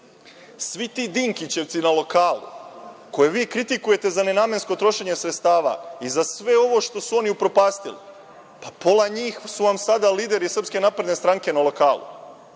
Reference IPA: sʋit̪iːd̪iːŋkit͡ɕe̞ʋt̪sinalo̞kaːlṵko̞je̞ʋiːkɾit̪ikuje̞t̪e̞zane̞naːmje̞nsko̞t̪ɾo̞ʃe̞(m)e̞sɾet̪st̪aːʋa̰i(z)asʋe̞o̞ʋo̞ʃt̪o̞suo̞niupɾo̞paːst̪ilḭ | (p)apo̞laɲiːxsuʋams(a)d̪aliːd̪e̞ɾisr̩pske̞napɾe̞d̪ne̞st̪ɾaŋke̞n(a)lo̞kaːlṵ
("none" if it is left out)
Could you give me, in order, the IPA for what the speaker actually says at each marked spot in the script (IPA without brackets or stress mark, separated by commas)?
ɲ, z, p, a, a